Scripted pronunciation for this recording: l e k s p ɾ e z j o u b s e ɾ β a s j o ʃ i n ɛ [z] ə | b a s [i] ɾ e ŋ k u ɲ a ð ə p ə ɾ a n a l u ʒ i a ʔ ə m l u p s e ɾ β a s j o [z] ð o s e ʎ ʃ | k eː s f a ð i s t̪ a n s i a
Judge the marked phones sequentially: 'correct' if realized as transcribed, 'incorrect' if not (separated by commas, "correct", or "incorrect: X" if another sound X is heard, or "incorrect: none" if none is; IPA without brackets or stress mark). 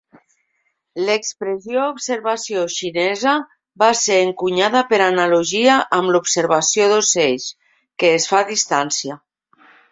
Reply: correct, incorrect: e, incorrect: none